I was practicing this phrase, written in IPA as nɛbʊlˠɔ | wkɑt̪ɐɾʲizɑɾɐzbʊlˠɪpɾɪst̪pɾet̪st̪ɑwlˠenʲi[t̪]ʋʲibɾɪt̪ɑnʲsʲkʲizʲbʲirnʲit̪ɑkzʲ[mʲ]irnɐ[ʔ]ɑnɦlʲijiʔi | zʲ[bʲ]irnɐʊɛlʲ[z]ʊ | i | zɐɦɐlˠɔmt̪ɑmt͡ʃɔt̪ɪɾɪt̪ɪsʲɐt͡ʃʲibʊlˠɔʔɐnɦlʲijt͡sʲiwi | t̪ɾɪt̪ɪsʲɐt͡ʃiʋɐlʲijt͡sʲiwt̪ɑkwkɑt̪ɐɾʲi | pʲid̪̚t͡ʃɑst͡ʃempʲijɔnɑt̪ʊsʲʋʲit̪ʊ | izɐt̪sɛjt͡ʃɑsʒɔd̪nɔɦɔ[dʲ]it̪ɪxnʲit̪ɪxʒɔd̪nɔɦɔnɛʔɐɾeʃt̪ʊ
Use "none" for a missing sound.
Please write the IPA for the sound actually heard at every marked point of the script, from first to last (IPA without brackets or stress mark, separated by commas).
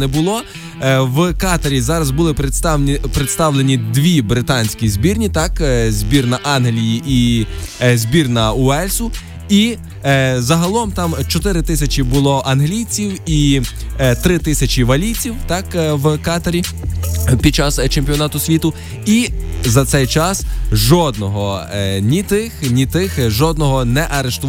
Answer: d̪, bʲ, ʔ, bʲ, s, nʲ